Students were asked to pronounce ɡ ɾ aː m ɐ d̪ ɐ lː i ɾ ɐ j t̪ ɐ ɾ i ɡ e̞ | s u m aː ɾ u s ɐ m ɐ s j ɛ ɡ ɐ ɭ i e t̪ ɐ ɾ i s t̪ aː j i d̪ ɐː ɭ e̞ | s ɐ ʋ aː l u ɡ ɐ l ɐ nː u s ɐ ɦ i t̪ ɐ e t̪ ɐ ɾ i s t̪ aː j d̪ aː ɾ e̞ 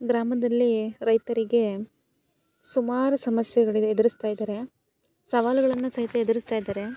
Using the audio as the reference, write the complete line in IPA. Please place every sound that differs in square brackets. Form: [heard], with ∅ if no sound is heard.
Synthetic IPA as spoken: ɡ ɾ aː m ɐ d̪ ɐ lː i ɾ ɐ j t̪ ɐ ɾ i ɡ e̞ | s u m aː ɾ u s ɐ m ɐ s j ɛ ɡ ɐ ɭ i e [d̪] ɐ ɾ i s t̪ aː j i d̪ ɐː [ɾ] e̞ | s ɐ ʋ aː l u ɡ ɐ [ɭ] ɐ nː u s ɐ ɦ i t̪ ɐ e [d̪] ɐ ɾ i s t̪ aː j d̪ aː ɾ e̞